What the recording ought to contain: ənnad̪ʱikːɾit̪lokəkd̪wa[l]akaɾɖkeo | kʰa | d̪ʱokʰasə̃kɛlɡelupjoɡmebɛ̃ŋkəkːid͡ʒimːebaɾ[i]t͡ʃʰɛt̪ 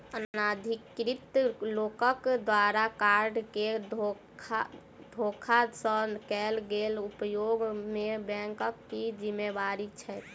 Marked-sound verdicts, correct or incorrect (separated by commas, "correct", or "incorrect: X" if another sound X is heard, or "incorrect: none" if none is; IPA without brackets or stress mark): incorrect: ɾ, correct